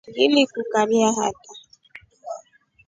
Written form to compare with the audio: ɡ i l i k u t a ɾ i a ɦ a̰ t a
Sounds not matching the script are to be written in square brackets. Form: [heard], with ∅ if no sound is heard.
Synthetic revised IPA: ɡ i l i k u [k] a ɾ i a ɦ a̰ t a